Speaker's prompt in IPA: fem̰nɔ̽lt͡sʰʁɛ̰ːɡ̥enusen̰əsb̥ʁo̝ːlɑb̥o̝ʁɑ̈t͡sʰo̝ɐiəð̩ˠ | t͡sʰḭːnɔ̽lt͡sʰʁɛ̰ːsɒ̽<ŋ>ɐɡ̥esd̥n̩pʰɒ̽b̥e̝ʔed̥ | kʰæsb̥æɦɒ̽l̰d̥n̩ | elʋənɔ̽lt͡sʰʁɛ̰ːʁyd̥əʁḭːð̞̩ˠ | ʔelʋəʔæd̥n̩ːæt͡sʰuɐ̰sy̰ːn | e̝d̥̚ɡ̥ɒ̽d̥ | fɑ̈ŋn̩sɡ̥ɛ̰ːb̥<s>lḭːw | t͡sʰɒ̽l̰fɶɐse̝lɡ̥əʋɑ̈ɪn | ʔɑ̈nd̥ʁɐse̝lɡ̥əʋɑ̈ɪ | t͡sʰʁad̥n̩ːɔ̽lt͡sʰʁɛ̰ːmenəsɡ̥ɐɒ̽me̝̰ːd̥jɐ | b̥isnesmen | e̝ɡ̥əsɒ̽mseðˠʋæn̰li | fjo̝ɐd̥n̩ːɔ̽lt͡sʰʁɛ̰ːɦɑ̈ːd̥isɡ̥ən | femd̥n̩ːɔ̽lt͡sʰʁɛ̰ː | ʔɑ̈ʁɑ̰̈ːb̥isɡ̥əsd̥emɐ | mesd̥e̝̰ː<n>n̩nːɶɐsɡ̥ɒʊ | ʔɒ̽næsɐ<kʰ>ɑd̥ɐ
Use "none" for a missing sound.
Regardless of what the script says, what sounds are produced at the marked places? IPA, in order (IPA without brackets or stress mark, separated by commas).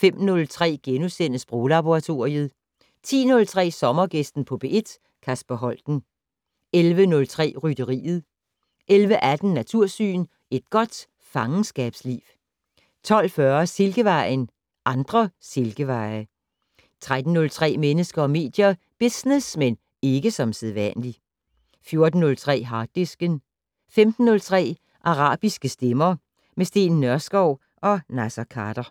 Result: m, s, n, kʰ